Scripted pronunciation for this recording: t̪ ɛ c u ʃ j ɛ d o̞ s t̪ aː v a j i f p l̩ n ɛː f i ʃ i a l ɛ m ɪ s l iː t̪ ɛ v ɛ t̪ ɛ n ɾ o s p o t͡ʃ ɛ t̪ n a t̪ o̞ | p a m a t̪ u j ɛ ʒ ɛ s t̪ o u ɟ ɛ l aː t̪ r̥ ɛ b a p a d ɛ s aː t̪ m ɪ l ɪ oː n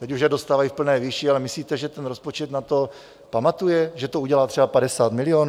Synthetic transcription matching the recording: t̪ ɛ c u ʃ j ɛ d o̞ s t̪ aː v a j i f p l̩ n ɛː v i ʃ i a l ɛ m ɪ s l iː t̪ ɛ ʒ ɛ t̪ ɛ n ɾ o s p o t͡ʃ ɛ t̪ n a t̪ o̞ | p a m a t̪ u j ɛ ʒ ɛ t̪ o u ɟ ɛ l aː t̪ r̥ ɛ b a p a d ɛ s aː t̪ m ɪ l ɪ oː n